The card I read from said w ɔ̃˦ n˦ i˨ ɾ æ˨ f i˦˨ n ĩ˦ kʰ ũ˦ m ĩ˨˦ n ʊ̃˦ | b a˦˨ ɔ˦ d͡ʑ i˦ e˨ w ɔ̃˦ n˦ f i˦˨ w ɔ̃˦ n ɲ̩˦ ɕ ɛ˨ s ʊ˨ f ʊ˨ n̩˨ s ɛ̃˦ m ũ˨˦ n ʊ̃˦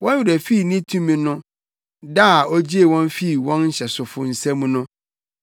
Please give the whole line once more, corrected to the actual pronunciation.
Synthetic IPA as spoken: w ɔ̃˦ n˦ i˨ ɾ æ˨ f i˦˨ n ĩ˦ tʰ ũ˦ m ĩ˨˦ n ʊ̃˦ | d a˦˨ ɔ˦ d͡ʑ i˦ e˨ w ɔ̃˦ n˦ f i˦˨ w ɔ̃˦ n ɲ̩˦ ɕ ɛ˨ s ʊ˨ f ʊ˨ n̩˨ s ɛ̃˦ m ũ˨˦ n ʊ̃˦